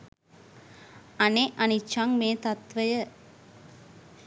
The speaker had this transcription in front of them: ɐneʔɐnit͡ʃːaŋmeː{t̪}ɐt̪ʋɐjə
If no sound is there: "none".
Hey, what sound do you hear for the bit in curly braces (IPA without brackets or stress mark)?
t̪